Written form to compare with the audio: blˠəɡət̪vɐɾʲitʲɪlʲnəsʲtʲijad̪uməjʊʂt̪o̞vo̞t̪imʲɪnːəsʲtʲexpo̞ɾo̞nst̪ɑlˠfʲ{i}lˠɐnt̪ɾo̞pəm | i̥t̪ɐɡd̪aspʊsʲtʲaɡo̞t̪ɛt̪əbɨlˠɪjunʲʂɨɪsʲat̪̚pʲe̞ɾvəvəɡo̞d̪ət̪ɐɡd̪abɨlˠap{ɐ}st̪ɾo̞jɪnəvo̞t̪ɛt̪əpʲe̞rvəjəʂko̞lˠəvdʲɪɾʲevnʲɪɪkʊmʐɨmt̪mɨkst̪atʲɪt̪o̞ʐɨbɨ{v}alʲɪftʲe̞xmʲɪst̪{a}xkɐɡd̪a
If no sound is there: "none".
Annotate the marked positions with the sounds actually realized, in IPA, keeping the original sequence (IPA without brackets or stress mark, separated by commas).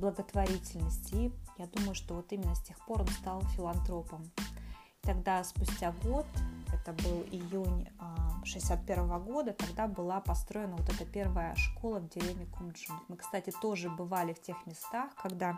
ɪ, ɐ, v, a